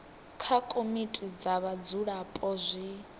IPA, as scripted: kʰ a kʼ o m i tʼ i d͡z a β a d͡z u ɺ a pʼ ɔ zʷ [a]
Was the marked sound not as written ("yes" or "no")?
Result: yes